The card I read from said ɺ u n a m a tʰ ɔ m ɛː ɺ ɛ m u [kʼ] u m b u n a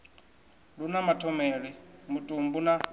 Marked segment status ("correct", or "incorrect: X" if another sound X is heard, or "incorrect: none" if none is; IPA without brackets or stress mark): incorrect: tʼ